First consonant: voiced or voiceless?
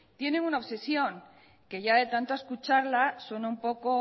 voiceless